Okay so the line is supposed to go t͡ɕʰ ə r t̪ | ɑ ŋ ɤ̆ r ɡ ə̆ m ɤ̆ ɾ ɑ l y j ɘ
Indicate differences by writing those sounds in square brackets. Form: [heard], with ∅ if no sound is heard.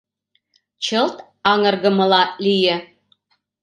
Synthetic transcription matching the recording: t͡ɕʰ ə [l] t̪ | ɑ ŋ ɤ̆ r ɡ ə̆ m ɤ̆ [l] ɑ l [i] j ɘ

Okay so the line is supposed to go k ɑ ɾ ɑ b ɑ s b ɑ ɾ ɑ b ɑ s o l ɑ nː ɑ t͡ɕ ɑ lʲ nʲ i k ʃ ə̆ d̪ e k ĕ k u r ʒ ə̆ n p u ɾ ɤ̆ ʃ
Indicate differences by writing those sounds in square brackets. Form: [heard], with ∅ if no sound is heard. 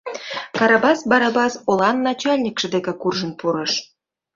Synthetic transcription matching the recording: k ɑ ɾ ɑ b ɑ s b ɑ ɾ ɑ b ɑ s o l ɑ nː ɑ t͡ɕ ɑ lʲ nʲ i k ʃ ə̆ d̪ e k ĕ k u r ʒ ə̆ n p u ɾ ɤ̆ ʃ

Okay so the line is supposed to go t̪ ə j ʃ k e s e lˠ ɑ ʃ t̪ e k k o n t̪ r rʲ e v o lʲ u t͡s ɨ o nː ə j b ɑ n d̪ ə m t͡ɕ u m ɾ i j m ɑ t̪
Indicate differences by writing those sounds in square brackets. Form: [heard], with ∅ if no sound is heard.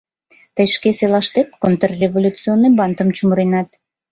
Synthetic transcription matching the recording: t̪ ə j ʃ k e s e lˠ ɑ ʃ t̪ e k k o n t̪ r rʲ e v o lʲ u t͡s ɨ o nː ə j b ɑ n [t̪] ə m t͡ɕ u m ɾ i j [n] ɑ t̪

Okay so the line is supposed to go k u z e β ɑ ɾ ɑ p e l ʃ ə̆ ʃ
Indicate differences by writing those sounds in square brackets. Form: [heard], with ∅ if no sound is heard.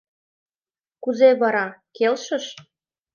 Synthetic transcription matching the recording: k u z e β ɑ ɾ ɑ [k] e l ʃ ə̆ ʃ

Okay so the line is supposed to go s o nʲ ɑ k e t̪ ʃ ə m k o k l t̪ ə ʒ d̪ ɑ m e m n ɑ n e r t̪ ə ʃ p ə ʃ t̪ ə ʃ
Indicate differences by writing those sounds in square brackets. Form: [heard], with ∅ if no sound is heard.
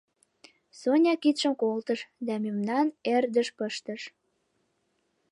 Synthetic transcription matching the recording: s o nʲ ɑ k [i] t̪ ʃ ə m k o [∅] l t̪ ə [ʃ] d̪ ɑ m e m n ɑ n e r [d̪] ə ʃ p ə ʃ t̪ ə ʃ

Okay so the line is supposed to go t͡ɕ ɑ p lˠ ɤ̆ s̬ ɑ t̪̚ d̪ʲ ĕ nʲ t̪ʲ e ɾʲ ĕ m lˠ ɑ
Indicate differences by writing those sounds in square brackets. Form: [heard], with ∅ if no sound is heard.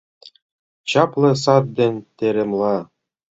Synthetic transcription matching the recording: t͡ɕ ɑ p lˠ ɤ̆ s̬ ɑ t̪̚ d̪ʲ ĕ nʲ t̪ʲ e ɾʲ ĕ m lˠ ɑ

